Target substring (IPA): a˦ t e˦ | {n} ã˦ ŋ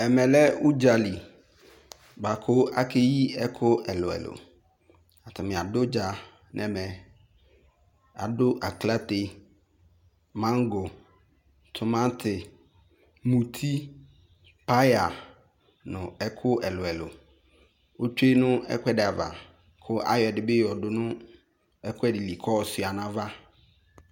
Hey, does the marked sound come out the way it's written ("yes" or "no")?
no